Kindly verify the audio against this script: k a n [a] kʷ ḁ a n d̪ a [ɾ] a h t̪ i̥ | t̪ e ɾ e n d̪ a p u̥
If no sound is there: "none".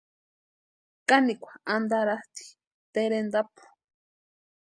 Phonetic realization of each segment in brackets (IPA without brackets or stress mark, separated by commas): i, ɾ